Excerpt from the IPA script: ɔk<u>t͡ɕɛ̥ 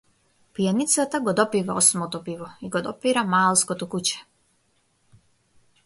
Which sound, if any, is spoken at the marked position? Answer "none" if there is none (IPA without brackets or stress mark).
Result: u